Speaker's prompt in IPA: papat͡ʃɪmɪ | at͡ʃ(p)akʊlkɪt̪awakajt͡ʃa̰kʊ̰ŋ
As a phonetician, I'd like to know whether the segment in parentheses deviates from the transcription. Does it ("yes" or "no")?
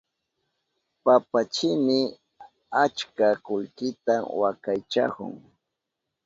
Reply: yes